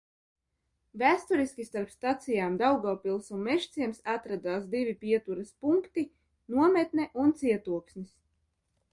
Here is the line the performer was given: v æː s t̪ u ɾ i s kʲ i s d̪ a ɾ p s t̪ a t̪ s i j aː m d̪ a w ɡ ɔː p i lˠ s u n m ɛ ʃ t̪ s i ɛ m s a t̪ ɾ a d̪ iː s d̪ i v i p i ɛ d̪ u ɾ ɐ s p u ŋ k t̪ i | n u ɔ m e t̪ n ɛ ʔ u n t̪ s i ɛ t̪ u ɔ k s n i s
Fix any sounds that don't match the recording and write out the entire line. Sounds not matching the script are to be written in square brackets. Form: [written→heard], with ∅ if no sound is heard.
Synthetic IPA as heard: v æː s t̪ u ɾ i s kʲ i s [d̪→t̪] a ɾ p s t̪ a t̪ s i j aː m d̪ a w ɡ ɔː p i lˠ s u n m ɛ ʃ t̪ s i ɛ m s a t̪ ɾ a d̪ [iː→aː] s d̪ i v i p i ɛ [d̪→t̪] u ɾ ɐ s p u ŋ k t̪ i | n u ɔ m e t̪ n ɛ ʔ u n t̪ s i ɛ t̪ u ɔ k s n i s